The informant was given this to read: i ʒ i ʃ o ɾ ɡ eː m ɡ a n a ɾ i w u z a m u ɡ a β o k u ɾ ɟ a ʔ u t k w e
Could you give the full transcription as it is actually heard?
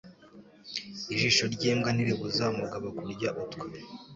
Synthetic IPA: i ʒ i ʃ o ɾ ɟ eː m ɡ a n i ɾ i β u z a m u ɡ a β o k u ɾ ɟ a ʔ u t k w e

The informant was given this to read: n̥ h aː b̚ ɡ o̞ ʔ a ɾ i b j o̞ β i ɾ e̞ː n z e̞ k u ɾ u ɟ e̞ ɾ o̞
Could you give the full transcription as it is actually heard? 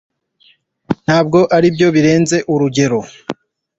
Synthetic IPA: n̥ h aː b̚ ɡ o̞ ʔ a ɾ i b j o̞ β i ɾ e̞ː n z e̞ ʔ u ɾ u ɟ e̞ ɾ o̞

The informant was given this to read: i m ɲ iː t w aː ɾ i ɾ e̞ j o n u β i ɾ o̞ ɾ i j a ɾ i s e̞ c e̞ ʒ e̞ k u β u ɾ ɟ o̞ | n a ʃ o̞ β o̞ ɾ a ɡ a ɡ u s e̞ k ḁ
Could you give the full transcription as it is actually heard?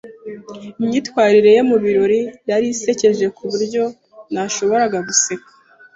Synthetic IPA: i m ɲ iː t w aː ɾ i ɾ e̞ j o m u β i ɾ o̞ ɾ i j a ɾ i s e̞ c e̞ ʒ e̞ k u β u ɾ ɟ o̞ | n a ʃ o̞ β o̞ ɾ a ɡ a ɡ u s e̞ k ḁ

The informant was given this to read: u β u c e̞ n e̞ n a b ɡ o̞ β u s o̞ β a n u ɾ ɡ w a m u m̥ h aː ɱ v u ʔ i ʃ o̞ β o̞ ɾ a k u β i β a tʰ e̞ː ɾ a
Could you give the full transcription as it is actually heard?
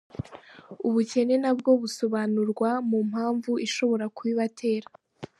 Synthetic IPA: u β u c e̞ n e̞ n a b ɡ o̞ β u s o̞ β a n u ɾ ɡ w a m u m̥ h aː ɱ v u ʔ i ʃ o̞ β o̞ ɾ a k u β i β a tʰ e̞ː ɾ a

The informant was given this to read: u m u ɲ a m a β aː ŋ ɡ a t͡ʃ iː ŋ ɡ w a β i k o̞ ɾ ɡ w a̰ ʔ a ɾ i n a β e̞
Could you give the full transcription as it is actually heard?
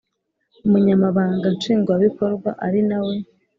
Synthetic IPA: u m u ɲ a m a β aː ŋ ɡ a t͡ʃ iː ŋ ɡ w a β i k o̞ ɾ ɡ w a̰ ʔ a ɾ i n a w e̞

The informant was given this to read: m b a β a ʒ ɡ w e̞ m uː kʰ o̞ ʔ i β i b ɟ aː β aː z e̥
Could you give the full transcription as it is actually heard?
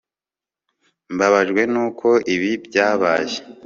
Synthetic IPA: m b a β a ʒ ɡ w e̞ n uː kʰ o̞ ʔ i β i b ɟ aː β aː ʒ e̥

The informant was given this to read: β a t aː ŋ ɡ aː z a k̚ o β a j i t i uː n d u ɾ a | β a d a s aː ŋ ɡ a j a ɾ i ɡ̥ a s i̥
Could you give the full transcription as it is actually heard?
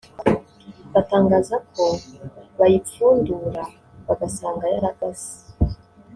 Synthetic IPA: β a t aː ŋ ɡ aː z a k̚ o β a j i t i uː n d u ɾ a | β a ɡ a s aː ŋ ɡ a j a ɾ a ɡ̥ a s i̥

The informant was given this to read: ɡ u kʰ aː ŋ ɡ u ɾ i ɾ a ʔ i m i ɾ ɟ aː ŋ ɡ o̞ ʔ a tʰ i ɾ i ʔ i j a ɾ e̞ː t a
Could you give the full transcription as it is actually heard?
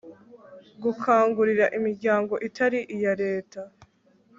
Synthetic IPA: ɡ u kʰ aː ŋ ɡ u ɾ i ɾ a ʔ i m i ɾ ɟ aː ŋ ɡ o̞ ʔ i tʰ a ɾ i ʔ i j a ɾ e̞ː t a

